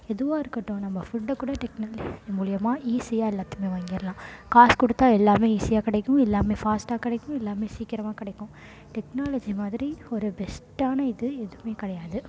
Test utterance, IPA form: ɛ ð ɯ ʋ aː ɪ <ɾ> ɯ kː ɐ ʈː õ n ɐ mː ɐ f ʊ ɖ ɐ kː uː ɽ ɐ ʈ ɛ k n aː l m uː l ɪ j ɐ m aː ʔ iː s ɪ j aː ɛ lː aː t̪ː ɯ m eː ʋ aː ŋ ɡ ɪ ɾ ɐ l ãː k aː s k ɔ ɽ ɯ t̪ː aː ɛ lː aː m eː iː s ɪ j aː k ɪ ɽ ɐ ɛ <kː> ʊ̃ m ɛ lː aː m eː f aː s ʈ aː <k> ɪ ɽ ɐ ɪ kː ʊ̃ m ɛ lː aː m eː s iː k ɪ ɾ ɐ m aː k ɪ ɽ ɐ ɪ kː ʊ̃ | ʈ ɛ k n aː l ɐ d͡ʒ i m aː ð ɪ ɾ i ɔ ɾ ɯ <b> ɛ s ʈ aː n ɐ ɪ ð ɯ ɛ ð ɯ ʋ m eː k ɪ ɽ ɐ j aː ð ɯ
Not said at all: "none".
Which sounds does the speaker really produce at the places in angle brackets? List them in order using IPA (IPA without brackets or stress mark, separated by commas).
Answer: ɾ, kː, k, b